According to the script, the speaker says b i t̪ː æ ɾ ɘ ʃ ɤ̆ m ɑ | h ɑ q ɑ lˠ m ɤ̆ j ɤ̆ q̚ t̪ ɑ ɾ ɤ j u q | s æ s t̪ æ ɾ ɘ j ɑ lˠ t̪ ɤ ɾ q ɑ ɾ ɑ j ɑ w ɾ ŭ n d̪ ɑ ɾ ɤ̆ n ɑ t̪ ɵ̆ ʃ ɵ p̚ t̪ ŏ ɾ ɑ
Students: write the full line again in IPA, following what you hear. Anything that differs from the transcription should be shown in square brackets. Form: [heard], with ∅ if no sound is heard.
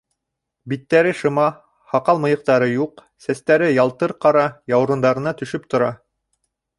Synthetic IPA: b i t̪ː æ ɾ ɘ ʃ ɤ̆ m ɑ | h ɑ q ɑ lˠ m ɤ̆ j ɤ̆ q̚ t̪ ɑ ɾ ɤ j u q | s æ s t̪ æ ɾ ɘ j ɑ lˠ t̪ ɤ ɾ q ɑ ɾ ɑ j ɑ w ɾ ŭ n d̪ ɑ ɾ ɤ̆ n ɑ t̪ ɵ̆ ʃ ɵ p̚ t̪ ŏ ɾ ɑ